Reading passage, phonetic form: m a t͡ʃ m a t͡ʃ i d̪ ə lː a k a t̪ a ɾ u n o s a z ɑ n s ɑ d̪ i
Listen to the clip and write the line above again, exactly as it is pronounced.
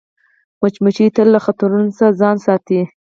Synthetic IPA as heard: m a t͡ʃ m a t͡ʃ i t̪ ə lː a x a t̪ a ɾ u n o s a z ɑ n s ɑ t̪ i

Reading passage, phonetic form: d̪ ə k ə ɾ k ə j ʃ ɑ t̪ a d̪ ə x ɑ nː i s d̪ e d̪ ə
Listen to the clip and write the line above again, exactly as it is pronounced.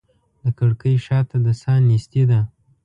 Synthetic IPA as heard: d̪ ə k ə ɽ k ə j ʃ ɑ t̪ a d̪ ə s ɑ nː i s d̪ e d̪ a

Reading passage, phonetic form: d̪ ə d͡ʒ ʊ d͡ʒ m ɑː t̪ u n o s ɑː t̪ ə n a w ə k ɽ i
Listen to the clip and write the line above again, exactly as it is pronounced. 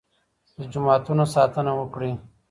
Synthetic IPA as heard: d̪ ə d͡ʒ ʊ m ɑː t̪ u n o s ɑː t̪ ə n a w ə k ɽ i

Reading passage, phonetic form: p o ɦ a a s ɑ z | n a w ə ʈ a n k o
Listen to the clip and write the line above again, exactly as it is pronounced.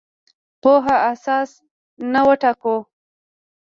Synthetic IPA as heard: p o ɦ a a s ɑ s | n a w ə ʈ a k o

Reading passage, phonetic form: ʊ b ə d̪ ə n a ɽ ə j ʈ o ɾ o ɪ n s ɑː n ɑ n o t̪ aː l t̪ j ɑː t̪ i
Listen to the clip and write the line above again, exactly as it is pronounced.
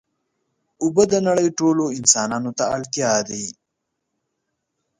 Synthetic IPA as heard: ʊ b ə d̪ ə n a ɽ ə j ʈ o l o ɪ n s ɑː n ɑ n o t̪ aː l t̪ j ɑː d̪ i

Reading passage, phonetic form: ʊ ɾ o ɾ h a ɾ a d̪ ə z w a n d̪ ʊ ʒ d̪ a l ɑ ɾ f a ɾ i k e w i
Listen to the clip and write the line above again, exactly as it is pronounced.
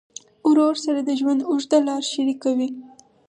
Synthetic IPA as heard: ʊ ɾ o ɾ s a ɾ a d̪ ə ʒ w a n d̪ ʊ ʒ d̪ a l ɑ ɾ ʃ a ɾ i k a w i

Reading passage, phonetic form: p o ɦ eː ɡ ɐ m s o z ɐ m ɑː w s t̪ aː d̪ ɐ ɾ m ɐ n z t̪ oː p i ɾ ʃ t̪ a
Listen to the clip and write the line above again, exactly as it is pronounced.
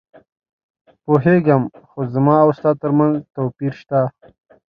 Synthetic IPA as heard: p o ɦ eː ɡ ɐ m x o z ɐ m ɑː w s t̪ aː t̪ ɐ ɾ m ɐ n z t̪ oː p i ɾ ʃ t̪ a

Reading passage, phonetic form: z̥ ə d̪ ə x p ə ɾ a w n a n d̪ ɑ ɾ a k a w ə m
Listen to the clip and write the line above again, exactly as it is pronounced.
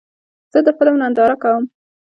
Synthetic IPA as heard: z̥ ə d̪ ə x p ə l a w n a n d̪ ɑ ɾ a k a w ə m

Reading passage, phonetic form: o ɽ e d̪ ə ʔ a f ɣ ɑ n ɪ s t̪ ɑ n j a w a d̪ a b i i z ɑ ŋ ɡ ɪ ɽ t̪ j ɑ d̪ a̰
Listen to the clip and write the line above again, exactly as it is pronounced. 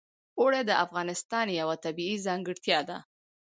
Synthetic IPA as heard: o ɽ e d̪ ə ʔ a f ɣ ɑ n ɪ s t̪ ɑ n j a w a t̪ a b i i z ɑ ŋ ɡ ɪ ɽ t̪ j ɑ d̪ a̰

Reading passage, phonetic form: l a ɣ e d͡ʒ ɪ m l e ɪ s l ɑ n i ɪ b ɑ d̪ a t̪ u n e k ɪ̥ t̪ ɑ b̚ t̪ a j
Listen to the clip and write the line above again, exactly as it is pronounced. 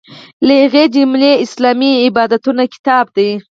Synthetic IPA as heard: l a ɣ e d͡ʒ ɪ m l e ɪ s l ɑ m i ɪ b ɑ d̪ a t̪ u n a k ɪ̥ t̪ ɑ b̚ d̪ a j

